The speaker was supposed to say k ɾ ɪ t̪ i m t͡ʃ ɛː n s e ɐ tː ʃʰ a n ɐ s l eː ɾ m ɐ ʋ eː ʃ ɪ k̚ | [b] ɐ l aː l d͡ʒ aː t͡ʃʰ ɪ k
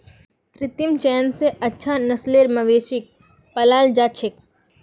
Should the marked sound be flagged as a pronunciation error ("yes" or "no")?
yes